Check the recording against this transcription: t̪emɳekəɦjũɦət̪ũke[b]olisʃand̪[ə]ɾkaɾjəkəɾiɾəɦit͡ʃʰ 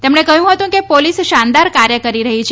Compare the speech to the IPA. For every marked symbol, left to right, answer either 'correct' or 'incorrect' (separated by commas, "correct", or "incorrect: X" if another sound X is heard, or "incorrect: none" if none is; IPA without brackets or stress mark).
incorrect: p, incorrect: a